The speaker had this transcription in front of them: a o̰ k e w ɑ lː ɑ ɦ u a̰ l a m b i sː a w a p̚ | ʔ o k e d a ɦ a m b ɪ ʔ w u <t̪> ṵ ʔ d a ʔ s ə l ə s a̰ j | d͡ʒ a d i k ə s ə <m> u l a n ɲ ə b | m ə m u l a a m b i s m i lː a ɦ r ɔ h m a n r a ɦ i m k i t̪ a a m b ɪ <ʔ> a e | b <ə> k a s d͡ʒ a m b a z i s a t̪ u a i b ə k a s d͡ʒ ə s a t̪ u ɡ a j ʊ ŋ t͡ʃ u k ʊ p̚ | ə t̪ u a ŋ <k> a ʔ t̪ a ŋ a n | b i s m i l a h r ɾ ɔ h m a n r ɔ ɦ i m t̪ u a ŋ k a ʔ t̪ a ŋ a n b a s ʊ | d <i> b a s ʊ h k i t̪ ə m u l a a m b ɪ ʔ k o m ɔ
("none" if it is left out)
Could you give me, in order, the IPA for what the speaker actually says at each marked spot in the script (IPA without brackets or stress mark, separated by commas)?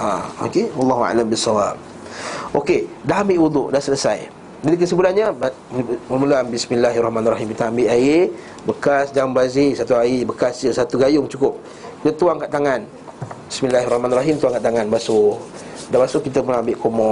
d̪, b, ʔ, ə, k, a